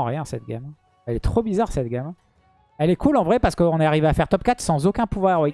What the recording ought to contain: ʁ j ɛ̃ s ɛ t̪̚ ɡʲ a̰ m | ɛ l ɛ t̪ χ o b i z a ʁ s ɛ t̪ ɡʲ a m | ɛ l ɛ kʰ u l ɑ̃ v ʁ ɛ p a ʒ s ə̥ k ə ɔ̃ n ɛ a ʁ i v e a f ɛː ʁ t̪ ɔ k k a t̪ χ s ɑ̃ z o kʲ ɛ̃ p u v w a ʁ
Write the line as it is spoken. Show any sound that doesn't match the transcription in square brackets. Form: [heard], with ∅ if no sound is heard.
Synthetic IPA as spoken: ʁ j ɛ̃ s ɛ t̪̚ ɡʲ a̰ m | ɛ l ɛ t̪ χ o b i z a ʁ s ɛ t̪ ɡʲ a m | ɛ l ɛ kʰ u l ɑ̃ v ʁ ɛ p a [ʁ] s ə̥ k ə ɔ̃ n ɛ a ʁ i v e a f [ɛ] ʁ t̪ ɔ [p] k a t̪ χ s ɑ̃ z o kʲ ɛ̃ p u v w a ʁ